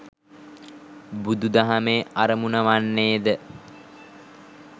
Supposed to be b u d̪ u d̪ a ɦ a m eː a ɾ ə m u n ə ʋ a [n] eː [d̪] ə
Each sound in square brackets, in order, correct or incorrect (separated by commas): incorrect, correct